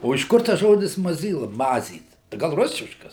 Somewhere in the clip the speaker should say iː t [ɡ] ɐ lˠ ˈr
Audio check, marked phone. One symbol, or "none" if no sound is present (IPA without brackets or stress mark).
ɡ